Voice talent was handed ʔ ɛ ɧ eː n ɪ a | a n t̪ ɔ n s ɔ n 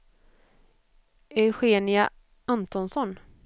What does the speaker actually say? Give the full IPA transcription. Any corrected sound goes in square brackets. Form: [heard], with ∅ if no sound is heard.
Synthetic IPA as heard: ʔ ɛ ɧ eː n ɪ a | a n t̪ ɔ n s ɔ n